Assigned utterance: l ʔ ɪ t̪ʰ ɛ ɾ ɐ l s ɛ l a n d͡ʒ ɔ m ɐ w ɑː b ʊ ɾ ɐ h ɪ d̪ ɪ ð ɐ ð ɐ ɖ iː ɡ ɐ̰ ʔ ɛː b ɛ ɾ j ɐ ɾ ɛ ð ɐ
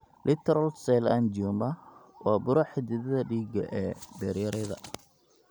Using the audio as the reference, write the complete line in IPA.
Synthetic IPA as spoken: l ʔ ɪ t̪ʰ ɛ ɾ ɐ l s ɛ l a n d͡ʒ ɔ m ɐ w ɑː b ʊ ɾ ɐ ħ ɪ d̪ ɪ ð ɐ ð ɐ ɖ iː ɡ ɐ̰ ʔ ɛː b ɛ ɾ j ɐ ɾ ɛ ð ɐ